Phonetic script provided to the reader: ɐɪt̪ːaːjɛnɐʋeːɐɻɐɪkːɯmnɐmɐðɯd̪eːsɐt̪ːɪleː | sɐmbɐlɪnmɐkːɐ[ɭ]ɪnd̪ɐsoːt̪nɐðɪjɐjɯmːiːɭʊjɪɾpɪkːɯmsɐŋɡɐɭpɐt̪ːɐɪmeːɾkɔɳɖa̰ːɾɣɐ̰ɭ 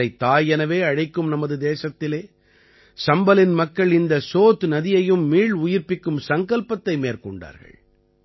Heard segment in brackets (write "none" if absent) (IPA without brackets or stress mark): ɭ